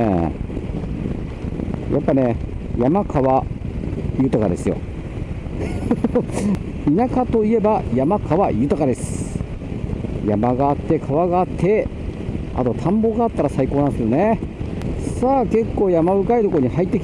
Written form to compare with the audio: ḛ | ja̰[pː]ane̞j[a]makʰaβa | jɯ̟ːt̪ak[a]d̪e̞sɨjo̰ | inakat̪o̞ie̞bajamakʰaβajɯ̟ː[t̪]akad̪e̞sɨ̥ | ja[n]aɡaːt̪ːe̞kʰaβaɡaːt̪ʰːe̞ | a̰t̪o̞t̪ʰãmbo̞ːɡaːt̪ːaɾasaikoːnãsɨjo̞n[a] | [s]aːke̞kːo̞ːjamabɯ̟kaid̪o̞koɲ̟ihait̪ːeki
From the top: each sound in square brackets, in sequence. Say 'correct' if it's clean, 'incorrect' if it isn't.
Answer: correct, correct, correct, correct, incorrect, incorrect, correct

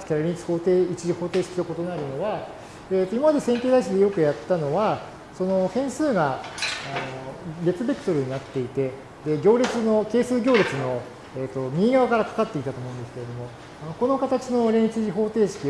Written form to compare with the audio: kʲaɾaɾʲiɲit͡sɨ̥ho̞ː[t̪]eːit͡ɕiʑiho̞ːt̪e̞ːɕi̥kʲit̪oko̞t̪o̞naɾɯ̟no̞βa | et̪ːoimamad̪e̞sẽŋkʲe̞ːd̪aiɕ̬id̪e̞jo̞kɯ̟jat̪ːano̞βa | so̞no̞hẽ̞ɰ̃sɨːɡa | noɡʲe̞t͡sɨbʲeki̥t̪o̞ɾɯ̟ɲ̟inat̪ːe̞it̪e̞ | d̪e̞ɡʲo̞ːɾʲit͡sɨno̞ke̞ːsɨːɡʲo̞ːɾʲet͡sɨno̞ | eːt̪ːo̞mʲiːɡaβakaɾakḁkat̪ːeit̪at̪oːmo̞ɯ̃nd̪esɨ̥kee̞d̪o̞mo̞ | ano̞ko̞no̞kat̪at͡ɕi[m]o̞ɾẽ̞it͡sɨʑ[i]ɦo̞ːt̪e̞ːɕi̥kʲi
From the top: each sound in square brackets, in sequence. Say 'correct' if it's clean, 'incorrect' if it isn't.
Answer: correct, incorrect, correct

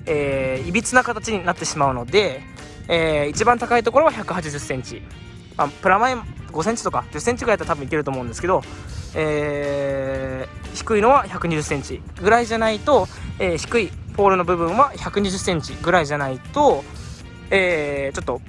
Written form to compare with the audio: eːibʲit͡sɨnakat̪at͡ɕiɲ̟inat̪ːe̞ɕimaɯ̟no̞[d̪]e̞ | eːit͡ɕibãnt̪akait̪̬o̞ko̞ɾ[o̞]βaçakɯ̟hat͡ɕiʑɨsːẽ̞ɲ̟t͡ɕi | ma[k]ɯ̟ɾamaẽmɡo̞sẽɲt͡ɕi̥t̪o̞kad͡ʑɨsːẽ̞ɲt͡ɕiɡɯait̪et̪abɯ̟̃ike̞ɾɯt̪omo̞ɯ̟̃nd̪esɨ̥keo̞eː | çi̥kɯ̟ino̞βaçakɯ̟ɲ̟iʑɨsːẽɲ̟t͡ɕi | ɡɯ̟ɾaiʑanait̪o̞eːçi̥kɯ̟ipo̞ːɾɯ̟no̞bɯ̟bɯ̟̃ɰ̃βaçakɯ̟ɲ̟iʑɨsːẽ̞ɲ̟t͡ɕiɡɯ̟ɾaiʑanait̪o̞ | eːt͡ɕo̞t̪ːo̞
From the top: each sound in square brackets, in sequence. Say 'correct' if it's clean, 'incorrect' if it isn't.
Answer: correct, correct, incorrect

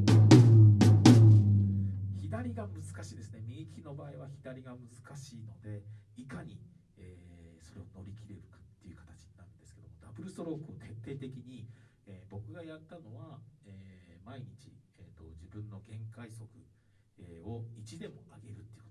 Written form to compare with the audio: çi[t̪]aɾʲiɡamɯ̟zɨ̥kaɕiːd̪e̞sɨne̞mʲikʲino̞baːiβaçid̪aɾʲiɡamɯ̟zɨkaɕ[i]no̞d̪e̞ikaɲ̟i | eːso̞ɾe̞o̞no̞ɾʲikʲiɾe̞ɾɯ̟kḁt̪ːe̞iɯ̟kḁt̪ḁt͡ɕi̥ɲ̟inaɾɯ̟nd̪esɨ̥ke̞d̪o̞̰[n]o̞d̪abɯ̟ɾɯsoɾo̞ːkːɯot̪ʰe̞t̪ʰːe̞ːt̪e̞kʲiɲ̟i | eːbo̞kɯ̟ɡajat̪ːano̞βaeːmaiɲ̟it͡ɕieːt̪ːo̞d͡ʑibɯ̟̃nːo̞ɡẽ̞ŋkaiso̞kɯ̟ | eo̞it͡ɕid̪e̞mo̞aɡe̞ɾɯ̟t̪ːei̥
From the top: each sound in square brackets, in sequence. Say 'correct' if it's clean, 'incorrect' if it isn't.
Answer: incorrect, incorrect, incorrect

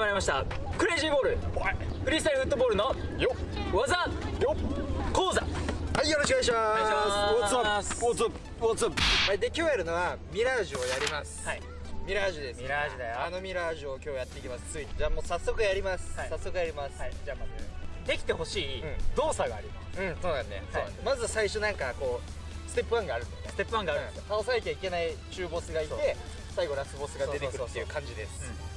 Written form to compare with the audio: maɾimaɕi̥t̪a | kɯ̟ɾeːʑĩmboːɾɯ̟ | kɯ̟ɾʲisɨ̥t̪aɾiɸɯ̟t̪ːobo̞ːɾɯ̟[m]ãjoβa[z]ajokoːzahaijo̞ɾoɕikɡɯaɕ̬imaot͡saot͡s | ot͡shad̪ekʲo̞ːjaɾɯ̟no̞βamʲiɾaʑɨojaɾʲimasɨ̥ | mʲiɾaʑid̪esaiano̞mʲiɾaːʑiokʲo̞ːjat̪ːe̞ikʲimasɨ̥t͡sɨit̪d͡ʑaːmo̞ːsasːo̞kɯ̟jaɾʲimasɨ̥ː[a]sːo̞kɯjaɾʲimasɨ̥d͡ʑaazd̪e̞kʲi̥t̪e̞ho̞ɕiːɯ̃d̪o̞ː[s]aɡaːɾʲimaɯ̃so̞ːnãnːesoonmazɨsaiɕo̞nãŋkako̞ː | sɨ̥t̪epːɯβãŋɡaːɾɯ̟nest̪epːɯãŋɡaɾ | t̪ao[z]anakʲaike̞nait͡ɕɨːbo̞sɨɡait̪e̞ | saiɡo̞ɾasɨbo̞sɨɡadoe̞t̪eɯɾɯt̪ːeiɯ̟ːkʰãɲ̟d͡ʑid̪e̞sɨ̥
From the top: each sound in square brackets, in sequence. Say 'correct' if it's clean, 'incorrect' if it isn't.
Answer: incorrect, correct, correct, correct, incorrect

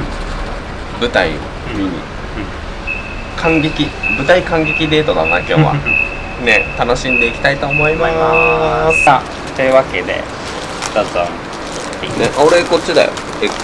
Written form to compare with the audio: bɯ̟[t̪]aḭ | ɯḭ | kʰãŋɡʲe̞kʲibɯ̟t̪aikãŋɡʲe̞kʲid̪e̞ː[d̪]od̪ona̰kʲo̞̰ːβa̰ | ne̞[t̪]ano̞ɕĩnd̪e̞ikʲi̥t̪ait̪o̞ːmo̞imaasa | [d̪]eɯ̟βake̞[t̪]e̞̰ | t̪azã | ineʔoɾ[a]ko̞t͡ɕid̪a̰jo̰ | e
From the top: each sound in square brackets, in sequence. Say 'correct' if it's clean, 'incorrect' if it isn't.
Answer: correct, incorrect, correct, incorrect, incorrect, incorrect

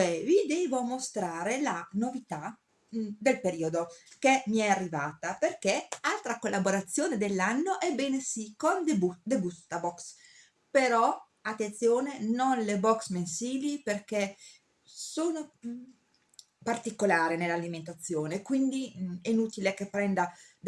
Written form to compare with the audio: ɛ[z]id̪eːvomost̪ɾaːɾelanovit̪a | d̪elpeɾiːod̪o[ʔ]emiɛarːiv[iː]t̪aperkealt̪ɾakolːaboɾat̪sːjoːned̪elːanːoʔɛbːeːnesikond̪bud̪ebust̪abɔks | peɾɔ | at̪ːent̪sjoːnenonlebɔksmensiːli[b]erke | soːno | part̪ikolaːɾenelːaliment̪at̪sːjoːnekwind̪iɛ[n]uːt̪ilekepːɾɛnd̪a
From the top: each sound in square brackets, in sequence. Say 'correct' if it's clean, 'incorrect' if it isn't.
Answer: incorrect, incorrect, incorrect, incorrect, correct

